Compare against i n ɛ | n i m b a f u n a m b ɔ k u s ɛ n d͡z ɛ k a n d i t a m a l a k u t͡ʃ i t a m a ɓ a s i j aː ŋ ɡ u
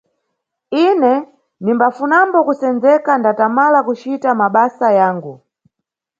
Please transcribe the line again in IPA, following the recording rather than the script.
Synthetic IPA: i n ɛ | n i m b a f u n a m b ɔ k u s ɛ n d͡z ɛ k a n d a t a m a l a k u t͡ʃ i t a m a ɓ a s a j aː ŋ ɡ u

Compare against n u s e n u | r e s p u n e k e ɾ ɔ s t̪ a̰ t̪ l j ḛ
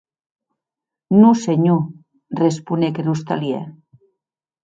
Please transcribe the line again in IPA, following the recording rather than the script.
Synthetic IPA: n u s e ɲ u | r e s p u n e k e ɾ u s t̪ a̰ l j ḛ

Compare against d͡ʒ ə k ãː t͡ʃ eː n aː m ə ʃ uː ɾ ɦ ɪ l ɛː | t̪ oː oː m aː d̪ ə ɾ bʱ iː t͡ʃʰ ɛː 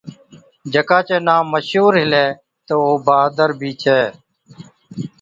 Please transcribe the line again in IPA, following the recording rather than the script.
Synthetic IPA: d͡ʒ ə k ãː t͡ʃ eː n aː m ə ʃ uː ɾ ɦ ɪ l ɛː | t̪ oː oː b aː d̪ ə ɾ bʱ iː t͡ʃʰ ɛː

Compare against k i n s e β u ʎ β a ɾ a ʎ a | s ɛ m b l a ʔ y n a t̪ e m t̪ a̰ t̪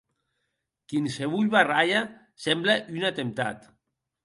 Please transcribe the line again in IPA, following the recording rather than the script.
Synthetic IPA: k i n s e β u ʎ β a r a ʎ a | s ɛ m b l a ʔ y n a t̪ e m t̪ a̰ t̪

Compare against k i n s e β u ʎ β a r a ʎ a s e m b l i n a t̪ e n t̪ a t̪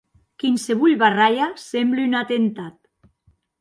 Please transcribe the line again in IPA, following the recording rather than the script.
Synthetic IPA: k i n s e β u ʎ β a r a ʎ a s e m b l y n a t̪ e n t̪ a t̪

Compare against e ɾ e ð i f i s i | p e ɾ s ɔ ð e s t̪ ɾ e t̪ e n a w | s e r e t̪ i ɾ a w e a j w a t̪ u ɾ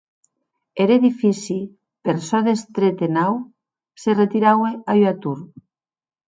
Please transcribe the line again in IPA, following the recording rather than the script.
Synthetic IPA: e ɾ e ð i f i s i | p e ɾ s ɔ ð e s t̪ ɾ e t̪ e n a w | s e r e t̪ i ɾ a w e a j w a t̪ u ɾ

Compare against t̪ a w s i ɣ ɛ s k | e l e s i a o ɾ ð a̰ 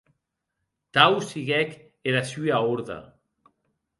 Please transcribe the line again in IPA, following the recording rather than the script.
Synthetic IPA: t̪ a w s i ɣ ɛ k | e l a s y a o ɾ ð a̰

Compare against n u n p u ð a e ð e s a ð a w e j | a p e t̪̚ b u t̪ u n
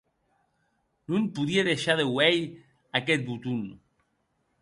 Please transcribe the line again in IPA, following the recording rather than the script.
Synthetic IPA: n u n p u ð i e ð e ʃ a ð e w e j | a k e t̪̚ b u t̪ u n

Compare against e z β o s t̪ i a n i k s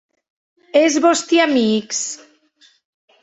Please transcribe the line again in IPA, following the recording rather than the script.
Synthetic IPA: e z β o s t̪ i a m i k s

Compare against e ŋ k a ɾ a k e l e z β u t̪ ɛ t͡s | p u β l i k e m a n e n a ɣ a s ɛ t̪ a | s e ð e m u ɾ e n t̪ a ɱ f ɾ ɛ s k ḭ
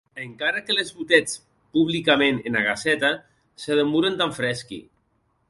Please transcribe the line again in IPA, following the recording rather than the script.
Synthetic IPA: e ŋ k a ɾ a k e l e z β u t̪ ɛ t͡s | p u β l i k a m e n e n a ɣ a s ɛ t̪ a | s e ð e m u ɾ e n t̪ a ɱ f ɾ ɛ s k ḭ

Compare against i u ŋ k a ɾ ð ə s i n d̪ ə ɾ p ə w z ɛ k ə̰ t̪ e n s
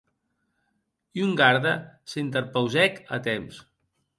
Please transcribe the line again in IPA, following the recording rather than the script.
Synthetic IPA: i u ŋ ɡ a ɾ ð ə s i n t̪ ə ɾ p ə w z ɛ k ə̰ t̪ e m s

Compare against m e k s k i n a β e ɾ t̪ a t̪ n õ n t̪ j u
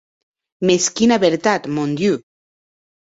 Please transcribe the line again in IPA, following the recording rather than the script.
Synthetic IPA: m e s k i n a β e ɾ t̪ a t̪ m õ n d̪ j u

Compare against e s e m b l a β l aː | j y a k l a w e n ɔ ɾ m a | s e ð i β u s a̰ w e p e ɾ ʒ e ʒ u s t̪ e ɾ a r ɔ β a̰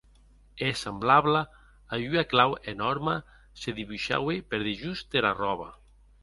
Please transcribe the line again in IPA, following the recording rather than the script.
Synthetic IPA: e s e m b l a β l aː | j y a k l a w e n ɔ ɾ m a | s e ð i β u ʃ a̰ w e p e ɾ ð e ʒ u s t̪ e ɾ a r ɔ β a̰

